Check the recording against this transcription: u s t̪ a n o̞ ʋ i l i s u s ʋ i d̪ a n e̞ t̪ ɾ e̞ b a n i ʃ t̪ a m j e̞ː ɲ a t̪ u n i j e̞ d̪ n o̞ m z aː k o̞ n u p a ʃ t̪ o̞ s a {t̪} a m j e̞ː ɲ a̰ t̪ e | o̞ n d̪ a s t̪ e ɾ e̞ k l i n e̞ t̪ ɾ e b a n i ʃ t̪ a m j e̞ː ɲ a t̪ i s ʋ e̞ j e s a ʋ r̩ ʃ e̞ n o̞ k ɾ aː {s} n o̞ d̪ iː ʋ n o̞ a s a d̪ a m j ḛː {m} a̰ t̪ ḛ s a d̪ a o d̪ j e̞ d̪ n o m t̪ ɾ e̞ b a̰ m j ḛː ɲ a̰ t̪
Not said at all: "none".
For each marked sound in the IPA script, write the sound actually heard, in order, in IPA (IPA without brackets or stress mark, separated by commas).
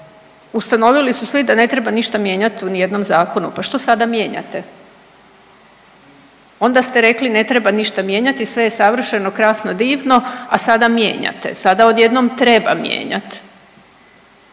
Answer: d̪, s, ɲ